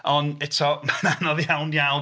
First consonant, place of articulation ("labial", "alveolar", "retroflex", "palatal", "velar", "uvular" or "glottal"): alveolar